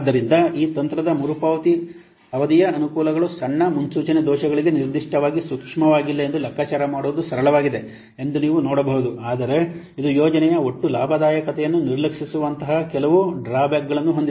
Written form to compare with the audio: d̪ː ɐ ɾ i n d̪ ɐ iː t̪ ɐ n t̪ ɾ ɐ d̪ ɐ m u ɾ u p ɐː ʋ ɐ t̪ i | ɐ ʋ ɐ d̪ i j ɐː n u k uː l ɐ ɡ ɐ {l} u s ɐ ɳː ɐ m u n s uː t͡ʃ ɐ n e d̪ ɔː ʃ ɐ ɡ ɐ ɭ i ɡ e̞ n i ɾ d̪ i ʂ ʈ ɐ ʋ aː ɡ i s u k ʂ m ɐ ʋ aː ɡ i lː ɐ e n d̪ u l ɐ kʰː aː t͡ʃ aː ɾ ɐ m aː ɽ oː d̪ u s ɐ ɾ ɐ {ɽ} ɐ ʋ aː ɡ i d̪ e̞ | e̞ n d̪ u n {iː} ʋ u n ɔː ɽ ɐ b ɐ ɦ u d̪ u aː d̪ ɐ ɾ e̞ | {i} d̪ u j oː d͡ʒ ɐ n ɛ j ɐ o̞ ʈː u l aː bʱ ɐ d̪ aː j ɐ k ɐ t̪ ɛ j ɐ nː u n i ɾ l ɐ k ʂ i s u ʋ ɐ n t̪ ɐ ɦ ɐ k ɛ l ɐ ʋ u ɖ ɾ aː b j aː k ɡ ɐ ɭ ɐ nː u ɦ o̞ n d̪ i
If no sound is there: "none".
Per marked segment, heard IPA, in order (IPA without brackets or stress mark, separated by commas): ɭ, ɭ, iː, i